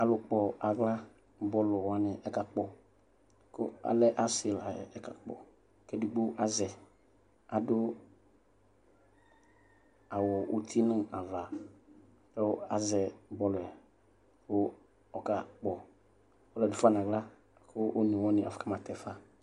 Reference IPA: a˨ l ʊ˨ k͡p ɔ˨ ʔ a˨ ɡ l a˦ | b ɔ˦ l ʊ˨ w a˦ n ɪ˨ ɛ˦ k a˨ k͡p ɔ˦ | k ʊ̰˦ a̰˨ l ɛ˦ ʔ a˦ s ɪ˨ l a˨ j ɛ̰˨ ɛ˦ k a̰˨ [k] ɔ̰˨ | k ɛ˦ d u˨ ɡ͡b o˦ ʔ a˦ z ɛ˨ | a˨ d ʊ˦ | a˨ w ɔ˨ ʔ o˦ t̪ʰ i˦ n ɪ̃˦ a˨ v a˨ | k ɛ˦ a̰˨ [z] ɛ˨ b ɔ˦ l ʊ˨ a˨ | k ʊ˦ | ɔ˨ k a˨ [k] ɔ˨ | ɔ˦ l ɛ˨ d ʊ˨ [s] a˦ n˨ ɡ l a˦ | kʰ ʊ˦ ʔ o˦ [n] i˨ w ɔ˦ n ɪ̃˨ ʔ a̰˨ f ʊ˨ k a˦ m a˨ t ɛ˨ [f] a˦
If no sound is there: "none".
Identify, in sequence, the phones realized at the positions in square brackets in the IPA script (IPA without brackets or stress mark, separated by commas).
k͡p, z, k͡p, f, n, f